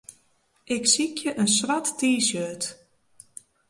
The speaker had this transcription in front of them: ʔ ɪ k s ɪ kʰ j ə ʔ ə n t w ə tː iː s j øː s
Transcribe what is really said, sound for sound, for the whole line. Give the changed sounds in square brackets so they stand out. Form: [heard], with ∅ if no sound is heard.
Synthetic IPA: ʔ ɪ k s [i] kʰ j ə ʔ ə n [s] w [a] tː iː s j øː [t]